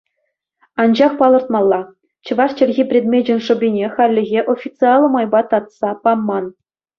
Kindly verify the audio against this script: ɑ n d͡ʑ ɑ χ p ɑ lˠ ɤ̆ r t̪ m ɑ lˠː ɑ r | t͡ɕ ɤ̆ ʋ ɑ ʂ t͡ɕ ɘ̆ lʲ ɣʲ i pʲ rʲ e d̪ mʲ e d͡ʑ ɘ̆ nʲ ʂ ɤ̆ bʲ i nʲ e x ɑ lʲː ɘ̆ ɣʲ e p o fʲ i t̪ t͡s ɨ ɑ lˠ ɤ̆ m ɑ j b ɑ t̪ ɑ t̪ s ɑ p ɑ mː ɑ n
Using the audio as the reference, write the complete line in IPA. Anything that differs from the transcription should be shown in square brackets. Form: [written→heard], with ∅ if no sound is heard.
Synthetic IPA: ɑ n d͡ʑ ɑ χ p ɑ lˠ ɤ̆ r t̪ m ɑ lˠː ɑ [r→∅] | t͡ɕ ɤ̆ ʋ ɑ ʂ t͡ɕ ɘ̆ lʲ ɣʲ i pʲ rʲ e d̪ mʲ e d͡ʑ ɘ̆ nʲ ʂ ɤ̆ bʲ i nʲ e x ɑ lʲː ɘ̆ ɣʲ e [p→ʔ] o fʲ i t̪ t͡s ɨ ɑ lˠ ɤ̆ m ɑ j b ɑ t̪ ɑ t̪ s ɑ p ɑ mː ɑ n